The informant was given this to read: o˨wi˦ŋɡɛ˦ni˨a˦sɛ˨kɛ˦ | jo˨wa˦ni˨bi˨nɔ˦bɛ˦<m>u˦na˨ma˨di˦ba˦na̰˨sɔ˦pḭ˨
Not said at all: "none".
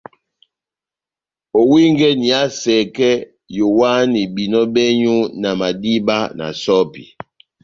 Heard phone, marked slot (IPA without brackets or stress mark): ɲ